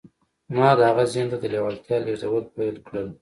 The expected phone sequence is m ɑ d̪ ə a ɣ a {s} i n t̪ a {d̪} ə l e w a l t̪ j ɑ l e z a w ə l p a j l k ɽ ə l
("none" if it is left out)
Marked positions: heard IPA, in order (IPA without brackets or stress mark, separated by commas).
z, d̪